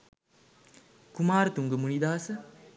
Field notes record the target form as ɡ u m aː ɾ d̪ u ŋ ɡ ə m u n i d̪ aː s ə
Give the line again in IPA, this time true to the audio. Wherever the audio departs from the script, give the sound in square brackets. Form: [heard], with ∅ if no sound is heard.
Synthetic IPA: [k] u m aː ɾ [t̪] u ŋ ɡ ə m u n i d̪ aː s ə